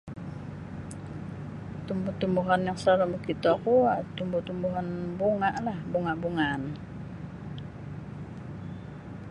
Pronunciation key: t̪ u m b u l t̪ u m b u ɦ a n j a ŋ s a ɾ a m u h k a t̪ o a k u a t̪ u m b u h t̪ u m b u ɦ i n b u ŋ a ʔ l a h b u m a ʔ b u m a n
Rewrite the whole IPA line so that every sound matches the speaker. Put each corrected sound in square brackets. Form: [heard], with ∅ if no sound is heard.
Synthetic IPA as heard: t̪ u m b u [∅] t̪ u m b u ɦ a n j a ŋ s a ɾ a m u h k [i] t̪ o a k u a t̪ u m b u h t̪ u m b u ɦ [a] n b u ŋ a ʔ l a h b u [ŋ] a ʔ b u [ŋ] a n